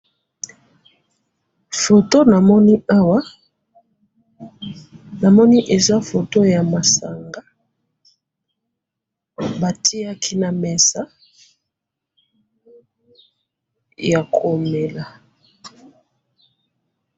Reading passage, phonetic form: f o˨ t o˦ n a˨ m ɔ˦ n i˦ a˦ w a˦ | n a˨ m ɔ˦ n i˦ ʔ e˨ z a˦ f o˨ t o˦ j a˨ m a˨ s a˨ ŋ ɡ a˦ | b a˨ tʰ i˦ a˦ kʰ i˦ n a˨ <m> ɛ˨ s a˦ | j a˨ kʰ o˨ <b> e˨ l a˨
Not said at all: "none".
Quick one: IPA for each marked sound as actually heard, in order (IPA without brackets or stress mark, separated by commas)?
m, m